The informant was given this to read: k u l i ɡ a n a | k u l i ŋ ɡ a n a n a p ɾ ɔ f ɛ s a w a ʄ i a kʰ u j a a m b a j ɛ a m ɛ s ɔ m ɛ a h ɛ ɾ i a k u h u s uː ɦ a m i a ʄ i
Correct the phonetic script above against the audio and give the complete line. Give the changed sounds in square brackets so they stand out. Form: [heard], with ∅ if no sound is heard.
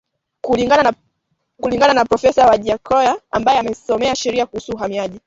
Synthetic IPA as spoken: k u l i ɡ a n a | k u l i ŋ ɡ a n a n a p ɾ ɔ f ɛ s a w a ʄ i a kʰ [ɔ] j a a m b a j ɛ a m ɛ s ɔ m ɛ a [ʃ] ɛ ɾ i a k u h u s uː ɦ a m i a ʄ i